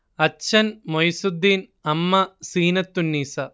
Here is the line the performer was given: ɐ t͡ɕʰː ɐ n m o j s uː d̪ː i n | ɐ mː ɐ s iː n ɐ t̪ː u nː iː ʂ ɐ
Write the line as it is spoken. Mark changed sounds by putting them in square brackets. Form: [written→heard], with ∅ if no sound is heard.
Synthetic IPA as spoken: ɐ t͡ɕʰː ɐ n m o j s [uː→u] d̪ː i n | ɐ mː ɐ s iː n ɐ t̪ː u nː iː [ʂ→s] ɐ